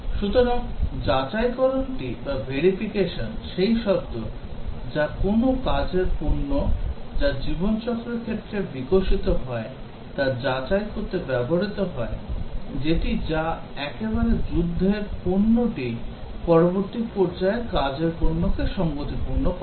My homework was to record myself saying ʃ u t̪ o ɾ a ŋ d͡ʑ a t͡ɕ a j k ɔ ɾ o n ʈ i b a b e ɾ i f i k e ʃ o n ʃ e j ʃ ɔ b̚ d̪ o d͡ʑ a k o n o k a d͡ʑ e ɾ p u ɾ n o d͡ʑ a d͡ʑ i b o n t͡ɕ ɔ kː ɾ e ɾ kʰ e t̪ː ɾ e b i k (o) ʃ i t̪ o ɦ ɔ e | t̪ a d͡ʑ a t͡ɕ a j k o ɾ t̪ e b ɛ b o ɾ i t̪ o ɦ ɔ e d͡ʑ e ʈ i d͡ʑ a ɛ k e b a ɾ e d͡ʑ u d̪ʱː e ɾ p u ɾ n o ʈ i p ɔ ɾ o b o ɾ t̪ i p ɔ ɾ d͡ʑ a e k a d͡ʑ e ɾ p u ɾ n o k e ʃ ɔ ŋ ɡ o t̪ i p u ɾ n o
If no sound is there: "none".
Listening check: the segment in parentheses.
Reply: o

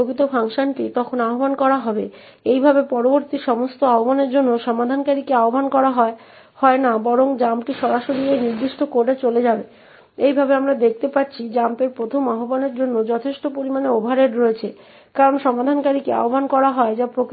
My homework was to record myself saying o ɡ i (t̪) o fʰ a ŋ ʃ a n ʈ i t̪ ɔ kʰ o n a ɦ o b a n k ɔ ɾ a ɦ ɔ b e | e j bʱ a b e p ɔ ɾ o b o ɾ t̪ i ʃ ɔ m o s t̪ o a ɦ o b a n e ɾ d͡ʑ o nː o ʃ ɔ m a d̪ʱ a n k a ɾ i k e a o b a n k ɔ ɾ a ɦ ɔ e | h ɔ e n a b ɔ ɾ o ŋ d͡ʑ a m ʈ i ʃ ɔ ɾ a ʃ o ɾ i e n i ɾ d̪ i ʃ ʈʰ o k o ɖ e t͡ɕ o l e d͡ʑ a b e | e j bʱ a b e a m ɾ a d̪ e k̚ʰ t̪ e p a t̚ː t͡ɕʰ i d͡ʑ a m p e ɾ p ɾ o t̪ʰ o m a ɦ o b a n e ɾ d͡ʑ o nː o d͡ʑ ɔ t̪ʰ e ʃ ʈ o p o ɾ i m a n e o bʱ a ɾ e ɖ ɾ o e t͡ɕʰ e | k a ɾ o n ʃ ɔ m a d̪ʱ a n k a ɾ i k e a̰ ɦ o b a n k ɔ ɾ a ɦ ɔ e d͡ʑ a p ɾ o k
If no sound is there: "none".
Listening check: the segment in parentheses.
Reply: t̪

